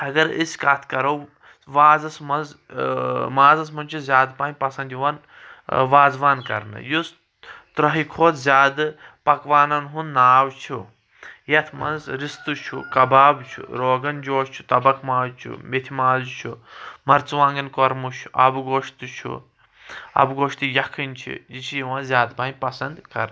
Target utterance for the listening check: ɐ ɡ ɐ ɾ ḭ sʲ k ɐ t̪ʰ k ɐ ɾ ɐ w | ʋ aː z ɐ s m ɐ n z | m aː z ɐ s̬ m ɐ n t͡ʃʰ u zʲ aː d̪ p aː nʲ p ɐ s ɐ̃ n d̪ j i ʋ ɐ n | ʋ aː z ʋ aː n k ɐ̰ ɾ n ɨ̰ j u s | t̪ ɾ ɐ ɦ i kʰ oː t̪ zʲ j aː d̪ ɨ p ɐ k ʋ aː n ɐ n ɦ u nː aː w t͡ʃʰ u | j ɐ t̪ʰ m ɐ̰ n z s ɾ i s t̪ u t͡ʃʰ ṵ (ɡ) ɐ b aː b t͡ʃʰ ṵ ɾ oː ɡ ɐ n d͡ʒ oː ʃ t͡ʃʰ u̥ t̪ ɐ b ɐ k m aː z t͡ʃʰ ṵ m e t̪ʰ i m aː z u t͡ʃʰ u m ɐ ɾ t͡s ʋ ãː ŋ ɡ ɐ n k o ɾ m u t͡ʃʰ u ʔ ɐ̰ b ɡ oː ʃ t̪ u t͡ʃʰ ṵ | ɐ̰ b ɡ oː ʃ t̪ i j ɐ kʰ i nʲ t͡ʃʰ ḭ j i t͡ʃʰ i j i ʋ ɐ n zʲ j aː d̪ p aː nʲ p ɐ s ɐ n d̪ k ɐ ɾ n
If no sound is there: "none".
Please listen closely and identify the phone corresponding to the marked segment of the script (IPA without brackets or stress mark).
k